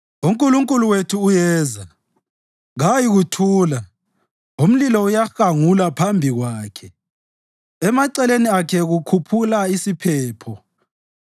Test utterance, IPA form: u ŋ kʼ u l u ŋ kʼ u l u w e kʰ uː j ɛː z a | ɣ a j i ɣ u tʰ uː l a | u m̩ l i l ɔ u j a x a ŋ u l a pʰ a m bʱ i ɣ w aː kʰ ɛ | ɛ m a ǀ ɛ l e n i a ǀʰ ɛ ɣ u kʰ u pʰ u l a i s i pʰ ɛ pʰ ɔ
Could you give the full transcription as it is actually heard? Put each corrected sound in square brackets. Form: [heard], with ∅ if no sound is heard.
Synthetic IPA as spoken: u ŋ kʼ u l u ŋ kʼ u l u w e [tʰ] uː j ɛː z a | ɣ a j i ɣ u tʰ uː l a | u m̩ l i l ɔ u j a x a ŋ u l a pʰ a m bʱ i ɣ w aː kʰ ɛ | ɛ m a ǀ ɛ l e n i a [kʰ] ɛ ɣ u kʰ u pʰ u l a i s i pʰ [ɛː] pʰ ɔ

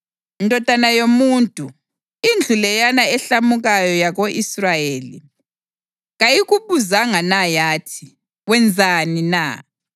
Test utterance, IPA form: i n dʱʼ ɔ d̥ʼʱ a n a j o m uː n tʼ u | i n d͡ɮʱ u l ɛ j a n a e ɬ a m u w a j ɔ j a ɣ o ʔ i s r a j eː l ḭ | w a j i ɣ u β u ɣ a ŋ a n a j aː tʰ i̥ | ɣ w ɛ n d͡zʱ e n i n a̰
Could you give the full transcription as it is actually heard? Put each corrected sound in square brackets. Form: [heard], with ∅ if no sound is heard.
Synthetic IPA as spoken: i n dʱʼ ɔ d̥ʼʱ a n a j o m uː n tʼ u | i n d͡ɮʱ u l ɛ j a n a [ɛ] ɬ a m u [ɣ] a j ɔ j a ɣ o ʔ i s r a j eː l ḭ | [ɣ] a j i ɣ u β u [z] a ŋ a n a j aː tʰ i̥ | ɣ w ɛ n d͡zʱ [a] n i n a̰

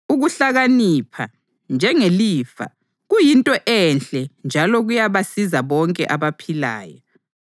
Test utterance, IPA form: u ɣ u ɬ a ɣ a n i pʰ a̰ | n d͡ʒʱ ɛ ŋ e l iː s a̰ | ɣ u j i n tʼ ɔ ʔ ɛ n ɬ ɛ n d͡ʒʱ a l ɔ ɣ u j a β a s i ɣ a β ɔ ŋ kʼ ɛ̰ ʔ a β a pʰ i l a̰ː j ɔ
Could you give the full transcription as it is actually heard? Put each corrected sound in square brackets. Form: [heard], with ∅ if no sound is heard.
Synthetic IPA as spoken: u ɣ u ɬ a ɣ a n i pʰ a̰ | n d͡ʒʱ ɛ ŋ e l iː [f] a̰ | ɣ u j i n tʼ ɔ ʔ ɛ n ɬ ɛ n d͡ʒʱ a l ɔ ɣ u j a β a s i [z] a β ɔ ŋ kʼ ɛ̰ ʔ a β a pʰ i l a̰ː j ɔ

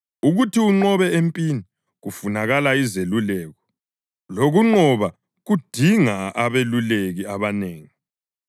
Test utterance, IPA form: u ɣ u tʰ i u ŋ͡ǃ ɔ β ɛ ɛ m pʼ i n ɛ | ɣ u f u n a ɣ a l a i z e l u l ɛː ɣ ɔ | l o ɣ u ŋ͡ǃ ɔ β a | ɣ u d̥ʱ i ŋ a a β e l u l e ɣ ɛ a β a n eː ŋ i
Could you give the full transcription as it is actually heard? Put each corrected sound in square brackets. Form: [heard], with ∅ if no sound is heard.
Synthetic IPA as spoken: u ɣ u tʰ i u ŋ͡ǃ ɔ β ɛ [e] m pʼ i n [i] | ɣ u f u n a ɣ a l a i z e l u l ɛː ɣ ɔ | l o ɣ u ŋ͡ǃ ɔ β a | ɣ u d̥ʱ i ŋ a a β e l u l e ɣ [i] a β a n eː ŋ i

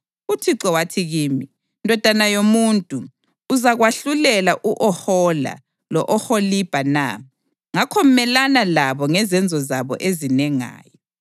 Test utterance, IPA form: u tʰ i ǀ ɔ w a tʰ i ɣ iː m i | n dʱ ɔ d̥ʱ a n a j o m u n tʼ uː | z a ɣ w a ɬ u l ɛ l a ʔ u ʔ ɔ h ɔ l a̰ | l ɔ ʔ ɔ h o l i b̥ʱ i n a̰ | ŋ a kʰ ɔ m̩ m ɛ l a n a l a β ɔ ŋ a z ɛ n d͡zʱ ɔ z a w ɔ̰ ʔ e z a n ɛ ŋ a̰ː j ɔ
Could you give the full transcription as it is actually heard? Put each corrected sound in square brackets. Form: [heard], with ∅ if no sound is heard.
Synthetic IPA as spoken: u tʰ i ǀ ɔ w a tʰ i ɣ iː m i | n dʱ ɔ d̥ʱ a n a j o m u n tʼ uː | z a ɣ w a ɬ u l ɛ l a ʔ u ʔ ɔ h ɔ l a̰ | l ɔ ʔ ɔ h o l i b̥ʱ [a] n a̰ | ŋ a kʰ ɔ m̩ m ɛ l a n a l a β ɔ ŋ [ɛ] z ɛ n d͡zʱ ɔ z a [β] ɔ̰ ʔ e z [i] n ɛ ŋ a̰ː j ɔ

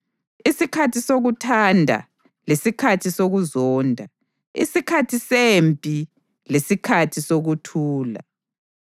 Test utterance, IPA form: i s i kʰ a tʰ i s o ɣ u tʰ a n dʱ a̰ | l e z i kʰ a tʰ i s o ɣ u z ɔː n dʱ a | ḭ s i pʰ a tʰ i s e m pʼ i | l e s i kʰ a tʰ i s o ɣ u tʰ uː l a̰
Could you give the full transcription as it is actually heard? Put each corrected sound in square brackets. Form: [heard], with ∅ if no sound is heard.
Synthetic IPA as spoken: i s i kʰ a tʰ i s o ɣ u tʰ a n dʱ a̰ | l e [s] i kʰ a tʰ i s o ɣ u z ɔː n dʱ a | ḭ s i [kʰ] a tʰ i s e m pʼ i | l e s i kʰ a tʰ i s o ɣ u tʰ uː l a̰

